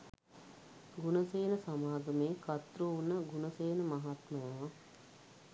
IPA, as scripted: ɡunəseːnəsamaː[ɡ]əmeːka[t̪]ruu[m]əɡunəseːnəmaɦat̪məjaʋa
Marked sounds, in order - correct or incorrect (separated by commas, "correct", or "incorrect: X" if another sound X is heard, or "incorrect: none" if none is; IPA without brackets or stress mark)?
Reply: correct, correct, incorrect: n